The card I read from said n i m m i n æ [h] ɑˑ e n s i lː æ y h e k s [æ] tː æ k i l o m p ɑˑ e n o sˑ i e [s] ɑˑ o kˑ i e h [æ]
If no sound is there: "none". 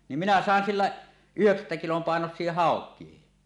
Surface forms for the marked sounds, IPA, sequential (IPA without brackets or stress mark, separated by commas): s, æ, h, i